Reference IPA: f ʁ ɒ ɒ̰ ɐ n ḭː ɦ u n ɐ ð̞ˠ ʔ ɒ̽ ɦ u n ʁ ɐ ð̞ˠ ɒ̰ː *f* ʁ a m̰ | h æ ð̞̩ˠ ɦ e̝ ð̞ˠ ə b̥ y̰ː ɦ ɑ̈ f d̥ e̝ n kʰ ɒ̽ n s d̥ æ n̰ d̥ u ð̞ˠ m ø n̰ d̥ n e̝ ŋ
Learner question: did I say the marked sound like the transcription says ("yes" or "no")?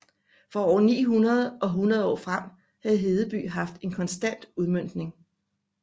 yes